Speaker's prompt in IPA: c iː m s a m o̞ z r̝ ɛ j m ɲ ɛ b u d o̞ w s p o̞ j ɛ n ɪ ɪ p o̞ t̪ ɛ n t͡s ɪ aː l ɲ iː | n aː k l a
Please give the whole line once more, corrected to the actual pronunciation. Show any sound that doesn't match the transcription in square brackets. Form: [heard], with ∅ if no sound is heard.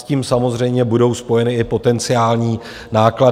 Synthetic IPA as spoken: c iː m s a m o̞ z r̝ ɛ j m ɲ ɛ b u d o̞ w s p o̞ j ɛ n ɪ ɪ p o̞ t̪ ɛ n t͡s ɪ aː l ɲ iː | n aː k l a